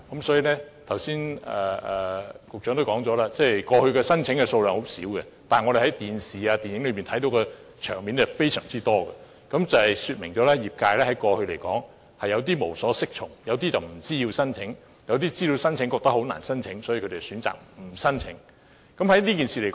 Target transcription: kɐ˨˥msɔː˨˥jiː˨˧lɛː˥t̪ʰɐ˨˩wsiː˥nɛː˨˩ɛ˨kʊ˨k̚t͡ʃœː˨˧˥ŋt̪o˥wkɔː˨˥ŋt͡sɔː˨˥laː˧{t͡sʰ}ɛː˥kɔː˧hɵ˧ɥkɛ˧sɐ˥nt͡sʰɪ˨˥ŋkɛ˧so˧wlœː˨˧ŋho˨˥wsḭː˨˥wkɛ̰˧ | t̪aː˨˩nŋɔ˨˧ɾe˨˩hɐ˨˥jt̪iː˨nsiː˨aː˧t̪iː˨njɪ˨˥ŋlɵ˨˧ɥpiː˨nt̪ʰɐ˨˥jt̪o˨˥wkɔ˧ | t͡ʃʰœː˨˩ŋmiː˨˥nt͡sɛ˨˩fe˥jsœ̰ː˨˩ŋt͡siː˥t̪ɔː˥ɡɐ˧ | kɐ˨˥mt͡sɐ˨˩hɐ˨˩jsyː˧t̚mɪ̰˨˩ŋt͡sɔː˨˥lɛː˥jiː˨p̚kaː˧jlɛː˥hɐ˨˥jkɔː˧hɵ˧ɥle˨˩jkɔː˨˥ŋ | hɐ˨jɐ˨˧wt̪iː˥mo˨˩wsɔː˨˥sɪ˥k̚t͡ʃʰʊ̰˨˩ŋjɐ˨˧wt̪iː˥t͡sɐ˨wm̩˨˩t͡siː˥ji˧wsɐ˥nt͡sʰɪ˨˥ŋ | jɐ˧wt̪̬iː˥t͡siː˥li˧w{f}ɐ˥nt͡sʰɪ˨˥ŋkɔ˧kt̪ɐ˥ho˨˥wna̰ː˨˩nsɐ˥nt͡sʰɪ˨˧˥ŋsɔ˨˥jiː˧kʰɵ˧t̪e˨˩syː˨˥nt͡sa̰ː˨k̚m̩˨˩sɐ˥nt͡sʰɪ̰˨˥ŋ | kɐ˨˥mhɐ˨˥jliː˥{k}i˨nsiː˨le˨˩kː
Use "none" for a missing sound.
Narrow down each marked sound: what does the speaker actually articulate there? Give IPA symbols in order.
t͡s, s, k

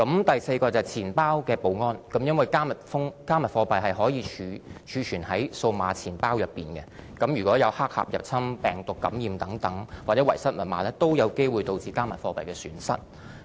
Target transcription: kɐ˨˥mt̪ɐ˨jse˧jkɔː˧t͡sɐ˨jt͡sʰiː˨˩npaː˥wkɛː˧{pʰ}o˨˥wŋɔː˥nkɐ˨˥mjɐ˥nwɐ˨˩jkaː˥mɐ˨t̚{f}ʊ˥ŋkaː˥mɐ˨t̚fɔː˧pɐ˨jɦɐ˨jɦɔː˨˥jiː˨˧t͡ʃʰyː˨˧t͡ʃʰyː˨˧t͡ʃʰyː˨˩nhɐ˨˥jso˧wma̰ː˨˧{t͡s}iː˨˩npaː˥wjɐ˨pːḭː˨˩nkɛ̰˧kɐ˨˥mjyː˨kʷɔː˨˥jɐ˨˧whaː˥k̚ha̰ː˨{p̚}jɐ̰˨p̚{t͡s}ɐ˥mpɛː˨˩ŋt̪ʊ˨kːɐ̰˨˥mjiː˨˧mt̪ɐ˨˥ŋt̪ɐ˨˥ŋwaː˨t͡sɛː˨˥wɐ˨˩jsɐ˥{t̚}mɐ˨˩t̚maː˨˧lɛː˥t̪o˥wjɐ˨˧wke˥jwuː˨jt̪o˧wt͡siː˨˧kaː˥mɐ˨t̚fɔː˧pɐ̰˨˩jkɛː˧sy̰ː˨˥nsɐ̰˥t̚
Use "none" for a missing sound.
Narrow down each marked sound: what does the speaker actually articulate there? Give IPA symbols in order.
p, f, t͡sʰ, p̚, t͡sʰ, t̚

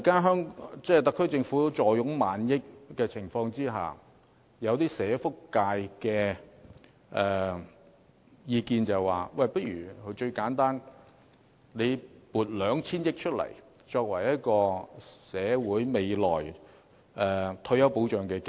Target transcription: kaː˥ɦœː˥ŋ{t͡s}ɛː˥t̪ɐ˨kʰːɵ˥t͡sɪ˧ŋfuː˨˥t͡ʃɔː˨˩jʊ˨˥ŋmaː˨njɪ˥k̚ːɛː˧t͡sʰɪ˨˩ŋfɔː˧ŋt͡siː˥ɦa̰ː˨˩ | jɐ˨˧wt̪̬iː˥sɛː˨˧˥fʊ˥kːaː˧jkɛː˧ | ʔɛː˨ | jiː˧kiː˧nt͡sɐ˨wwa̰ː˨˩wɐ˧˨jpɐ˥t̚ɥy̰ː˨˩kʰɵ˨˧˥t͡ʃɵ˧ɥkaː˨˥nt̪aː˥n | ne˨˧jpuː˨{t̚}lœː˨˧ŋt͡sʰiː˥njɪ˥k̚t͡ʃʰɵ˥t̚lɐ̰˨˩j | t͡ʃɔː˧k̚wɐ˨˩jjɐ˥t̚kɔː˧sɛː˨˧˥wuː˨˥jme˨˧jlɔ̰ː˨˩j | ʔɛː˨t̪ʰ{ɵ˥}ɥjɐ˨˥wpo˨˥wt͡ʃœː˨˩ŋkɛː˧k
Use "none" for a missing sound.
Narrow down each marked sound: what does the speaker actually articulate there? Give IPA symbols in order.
t͡s, t̚, ɵ˧

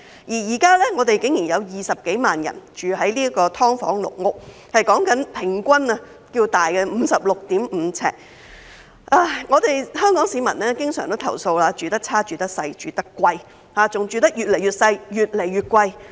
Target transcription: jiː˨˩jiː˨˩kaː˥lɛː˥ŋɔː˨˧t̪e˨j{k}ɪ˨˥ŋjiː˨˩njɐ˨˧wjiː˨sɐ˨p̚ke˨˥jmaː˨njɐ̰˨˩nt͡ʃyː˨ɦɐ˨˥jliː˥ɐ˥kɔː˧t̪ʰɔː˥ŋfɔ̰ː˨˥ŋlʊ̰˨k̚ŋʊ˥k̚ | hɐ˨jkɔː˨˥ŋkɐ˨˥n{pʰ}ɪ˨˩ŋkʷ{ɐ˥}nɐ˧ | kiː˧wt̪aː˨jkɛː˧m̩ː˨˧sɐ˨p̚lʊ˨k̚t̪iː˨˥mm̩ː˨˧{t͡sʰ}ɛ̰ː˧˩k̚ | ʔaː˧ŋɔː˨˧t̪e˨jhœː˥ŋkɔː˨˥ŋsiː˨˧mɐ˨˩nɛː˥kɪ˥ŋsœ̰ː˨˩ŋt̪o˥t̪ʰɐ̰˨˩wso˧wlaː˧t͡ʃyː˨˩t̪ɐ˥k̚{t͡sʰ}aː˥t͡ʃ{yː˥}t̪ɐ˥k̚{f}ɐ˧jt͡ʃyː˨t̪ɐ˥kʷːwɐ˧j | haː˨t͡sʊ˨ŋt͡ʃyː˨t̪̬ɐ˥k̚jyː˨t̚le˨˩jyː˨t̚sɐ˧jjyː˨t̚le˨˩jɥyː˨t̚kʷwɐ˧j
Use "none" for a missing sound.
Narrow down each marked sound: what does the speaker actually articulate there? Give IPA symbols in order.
k, pʰ, ɐ˥, t͡sʰ, t͡sʰ, yː˨, s

